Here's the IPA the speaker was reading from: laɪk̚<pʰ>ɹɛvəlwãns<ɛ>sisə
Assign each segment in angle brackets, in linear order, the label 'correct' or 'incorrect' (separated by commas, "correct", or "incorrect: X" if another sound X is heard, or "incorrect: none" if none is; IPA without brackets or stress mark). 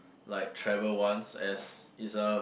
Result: incorrect: tʰ, correct